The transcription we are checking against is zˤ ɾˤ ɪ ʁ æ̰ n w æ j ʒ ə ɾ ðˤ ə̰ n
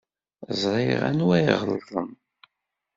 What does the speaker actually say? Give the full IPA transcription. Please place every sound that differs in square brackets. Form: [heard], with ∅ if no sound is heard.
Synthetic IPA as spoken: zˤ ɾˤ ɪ ʁ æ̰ n w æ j [ʁ] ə [l] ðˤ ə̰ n